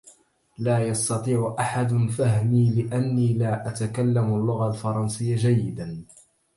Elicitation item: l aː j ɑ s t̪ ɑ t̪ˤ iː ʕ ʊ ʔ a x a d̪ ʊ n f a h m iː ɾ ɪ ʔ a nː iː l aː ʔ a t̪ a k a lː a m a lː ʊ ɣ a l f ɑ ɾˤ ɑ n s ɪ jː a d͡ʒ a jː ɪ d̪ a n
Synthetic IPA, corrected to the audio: l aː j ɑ s t̪ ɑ t̪ˤ iː ʕ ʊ ʔ a ħ a d̪ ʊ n f a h m iː l ɪ ʔ a nː iː l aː ʔ a t̪ a k a lː a m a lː ʊ ɣ a l f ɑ ɾˤ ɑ n s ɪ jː a d͡ʒ a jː ɪ d̪ a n